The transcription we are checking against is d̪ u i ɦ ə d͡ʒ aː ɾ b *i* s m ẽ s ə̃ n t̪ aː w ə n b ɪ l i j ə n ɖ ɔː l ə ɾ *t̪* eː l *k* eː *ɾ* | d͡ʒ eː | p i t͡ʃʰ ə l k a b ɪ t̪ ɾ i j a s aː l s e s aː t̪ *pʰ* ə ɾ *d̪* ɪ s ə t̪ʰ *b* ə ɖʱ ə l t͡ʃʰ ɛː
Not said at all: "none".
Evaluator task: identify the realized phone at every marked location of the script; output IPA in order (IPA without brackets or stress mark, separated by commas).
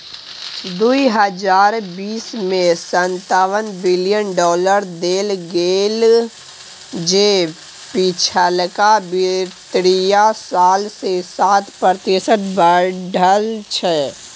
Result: iː, d̪, ɡ, l, p, t̪, b